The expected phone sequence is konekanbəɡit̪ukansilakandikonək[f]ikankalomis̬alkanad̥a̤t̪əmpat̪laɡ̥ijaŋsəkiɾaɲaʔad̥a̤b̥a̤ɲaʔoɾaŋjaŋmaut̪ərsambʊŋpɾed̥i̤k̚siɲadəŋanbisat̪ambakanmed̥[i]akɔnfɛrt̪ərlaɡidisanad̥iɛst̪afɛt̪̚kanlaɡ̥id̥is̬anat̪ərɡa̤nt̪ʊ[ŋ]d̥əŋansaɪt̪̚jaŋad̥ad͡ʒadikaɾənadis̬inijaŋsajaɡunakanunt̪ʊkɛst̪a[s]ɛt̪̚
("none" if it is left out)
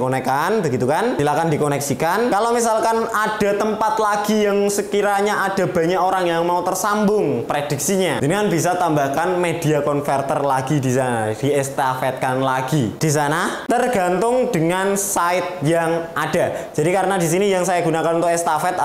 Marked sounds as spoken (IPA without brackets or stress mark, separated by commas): s, i, ŋ, f